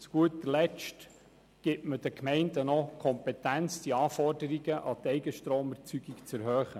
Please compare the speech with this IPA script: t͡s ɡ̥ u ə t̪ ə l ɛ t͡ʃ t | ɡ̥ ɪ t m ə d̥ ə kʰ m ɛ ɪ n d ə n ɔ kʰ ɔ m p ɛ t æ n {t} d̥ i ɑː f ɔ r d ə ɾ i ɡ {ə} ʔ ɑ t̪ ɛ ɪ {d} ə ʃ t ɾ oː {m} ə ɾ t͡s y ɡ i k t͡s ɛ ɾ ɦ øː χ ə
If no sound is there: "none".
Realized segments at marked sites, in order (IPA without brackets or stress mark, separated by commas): t͡s, ə, ɡ, m